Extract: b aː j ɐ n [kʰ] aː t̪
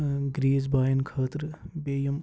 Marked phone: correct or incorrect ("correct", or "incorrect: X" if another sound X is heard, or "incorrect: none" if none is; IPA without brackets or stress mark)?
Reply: correct